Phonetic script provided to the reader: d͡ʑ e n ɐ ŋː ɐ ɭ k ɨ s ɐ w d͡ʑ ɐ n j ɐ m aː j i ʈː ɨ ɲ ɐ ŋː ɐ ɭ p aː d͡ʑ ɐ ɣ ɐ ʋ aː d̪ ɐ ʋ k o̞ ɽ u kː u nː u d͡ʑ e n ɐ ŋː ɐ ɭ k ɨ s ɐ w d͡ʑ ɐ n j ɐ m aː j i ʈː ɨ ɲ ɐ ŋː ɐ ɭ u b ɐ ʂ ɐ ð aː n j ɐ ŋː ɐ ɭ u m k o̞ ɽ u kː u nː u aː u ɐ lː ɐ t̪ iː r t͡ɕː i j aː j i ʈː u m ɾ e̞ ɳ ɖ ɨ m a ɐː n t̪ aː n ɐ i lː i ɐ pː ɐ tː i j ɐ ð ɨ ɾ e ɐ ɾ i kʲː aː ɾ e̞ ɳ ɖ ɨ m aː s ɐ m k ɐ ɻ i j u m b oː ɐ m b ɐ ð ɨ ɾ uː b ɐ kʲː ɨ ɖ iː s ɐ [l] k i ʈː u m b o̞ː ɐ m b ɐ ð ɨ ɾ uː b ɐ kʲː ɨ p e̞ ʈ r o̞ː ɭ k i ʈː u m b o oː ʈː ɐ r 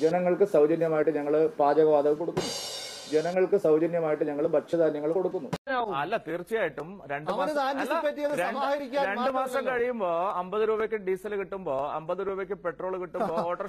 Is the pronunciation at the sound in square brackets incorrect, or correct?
correct